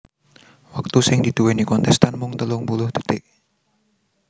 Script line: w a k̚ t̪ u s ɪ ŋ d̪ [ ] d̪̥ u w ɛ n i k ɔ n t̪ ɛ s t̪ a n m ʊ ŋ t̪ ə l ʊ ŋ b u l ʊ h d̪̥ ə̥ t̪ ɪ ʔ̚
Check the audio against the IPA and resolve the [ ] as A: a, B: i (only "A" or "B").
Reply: B